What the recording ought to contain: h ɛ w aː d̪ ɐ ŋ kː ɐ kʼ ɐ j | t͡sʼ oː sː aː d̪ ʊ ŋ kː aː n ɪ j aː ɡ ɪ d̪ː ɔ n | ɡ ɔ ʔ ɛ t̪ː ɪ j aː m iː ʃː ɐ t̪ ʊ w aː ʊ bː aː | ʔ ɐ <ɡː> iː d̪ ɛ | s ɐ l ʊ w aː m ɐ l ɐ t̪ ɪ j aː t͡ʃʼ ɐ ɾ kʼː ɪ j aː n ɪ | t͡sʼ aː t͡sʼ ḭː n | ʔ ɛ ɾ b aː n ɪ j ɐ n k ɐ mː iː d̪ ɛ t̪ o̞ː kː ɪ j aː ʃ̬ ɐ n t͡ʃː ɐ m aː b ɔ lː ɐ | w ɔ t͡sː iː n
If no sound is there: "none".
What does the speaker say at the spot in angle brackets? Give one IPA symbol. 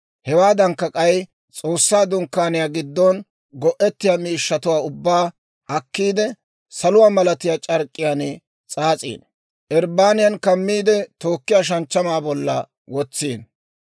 kː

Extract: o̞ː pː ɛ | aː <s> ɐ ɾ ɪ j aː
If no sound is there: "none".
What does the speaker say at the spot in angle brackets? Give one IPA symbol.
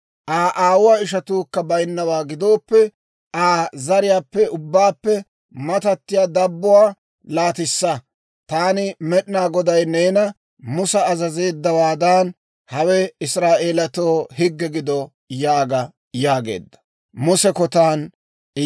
z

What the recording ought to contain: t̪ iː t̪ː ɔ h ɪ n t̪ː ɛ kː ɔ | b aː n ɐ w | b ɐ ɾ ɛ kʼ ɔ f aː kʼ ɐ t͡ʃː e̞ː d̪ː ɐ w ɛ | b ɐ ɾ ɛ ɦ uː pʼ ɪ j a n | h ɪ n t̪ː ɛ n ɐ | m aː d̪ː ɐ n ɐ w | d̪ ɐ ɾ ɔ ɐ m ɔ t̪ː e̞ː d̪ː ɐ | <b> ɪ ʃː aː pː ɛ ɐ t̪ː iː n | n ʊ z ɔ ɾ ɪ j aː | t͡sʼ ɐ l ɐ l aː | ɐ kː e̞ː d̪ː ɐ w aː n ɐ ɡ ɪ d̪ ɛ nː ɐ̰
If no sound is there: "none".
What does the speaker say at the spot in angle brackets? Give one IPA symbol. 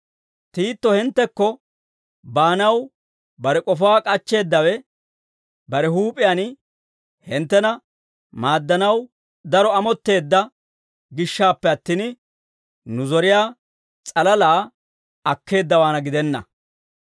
ɡ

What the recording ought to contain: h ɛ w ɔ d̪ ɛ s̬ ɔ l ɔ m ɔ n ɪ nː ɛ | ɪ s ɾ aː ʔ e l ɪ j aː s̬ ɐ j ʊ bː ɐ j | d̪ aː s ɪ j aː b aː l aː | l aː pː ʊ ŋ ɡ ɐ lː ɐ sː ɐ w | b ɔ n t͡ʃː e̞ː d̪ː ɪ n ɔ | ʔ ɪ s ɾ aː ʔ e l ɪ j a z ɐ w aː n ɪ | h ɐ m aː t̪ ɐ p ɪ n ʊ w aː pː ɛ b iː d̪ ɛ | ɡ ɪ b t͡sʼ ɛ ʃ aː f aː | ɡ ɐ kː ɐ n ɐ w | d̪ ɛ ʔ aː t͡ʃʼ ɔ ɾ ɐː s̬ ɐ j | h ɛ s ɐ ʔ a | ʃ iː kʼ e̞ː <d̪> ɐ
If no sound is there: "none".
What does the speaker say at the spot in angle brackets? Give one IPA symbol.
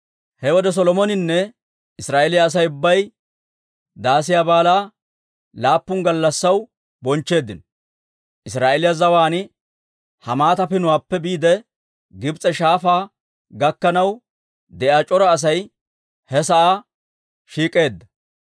d̪ː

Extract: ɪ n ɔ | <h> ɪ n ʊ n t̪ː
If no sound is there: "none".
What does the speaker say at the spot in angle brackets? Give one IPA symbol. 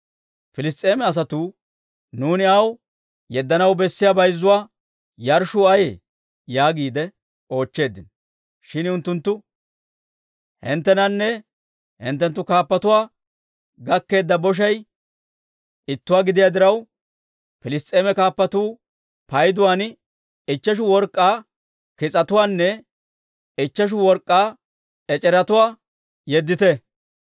ʃ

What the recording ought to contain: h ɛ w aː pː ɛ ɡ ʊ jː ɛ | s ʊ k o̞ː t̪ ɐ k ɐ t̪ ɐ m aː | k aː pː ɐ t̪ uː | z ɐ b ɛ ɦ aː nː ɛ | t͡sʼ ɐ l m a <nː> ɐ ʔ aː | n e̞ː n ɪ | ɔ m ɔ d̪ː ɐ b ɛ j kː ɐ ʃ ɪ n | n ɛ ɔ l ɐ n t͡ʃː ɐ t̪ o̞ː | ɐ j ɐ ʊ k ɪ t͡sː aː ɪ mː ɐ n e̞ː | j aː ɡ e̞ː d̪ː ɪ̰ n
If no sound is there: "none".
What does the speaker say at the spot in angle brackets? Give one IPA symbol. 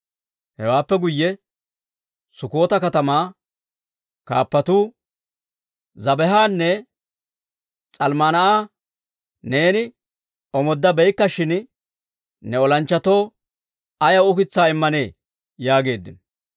n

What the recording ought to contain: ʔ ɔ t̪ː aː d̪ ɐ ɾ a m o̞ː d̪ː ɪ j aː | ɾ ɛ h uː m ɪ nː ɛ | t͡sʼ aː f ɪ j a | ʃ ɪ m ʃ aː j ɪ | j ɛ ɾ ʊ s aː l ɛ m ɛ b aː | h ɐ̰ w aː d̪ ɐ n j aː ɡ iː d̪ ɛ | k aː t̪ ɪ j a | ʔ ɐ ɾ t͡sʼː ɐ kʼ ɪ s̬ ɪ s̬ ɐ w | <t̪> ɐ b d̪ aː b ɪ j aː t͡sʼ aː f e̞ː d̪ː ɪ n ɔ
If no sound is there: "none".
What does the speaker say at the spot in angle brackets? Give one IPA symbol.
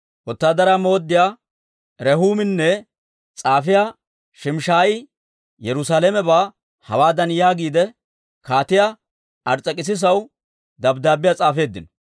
d̪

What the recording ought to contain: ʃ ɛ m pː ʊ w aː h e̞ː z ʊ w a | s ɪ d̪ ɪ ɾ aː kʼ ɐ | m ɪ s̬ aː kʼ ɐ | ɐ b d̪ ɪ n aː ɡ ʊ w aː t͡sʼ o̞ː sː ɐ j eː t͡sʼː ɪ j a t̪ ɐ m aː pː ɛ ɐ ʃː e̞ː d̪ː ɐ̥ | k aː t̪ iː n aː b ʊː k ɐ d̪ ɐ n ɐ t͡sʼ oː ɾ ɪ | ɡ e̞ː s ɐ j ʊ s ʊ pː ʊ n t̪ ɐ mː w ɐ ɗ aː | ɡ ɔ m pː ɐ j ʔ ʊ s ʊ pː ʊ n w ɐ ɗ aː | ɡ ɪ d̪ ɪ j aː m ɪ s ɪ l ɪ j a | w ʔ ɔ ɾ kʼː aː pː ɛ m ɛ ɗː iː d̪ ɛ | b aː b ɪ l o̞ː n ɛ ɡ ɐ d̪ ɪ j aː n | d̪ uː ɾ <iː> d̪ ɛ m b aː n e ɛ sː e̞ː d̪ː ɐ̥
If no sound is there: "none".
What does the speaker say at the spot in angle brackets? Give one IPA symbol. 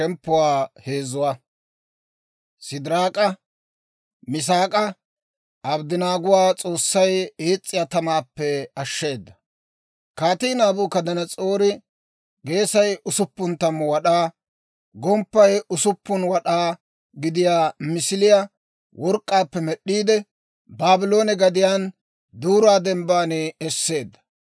aː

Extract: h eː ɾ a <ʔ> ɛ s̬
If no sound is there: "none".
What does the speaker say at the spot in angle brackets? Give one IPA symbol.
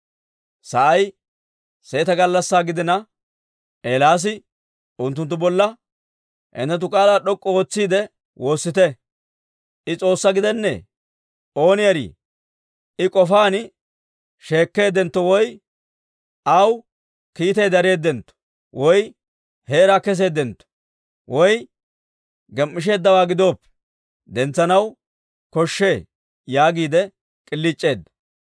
k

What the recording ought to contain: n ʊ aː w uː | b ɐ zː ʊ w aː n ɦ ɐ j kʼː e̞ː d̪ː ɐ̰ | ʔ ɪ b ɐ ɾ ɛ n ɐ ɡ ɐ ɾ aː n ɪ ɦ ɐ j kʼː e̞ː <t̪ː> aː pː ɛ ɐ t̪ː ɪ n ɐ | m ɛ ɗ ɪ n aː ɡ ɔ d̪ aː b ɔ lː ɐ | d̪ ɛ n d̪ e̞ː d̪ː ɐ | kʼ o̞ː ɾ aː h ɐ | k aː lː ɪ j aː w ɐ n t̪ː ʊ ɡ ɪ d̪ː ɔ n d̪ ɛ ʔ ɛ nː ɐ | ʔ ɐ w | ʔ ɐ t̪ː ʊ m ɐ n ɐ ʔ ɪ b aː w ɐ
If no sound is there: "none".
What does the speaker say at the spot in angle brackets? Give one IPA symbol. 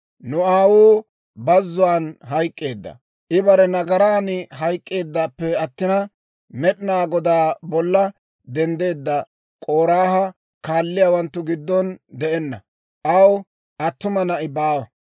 d̪ː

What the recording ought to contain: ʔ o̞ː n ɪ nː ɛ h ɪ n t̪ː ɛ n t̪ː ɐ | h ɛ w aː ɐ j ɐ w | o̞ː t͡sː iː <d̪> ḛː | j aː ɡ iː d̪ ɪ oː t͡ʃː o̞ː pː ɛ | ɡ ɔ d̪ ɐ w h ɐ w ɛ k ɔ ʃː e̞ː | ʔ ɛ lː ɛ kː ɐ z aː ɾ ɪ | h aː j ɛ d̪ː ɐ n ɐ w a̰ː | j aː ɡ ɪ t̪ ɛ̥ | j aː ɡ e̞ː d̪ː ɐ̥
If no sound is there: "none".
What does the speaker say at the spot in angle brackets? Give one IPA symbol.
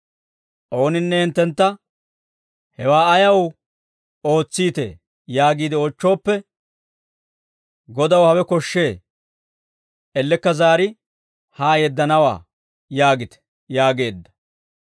t̪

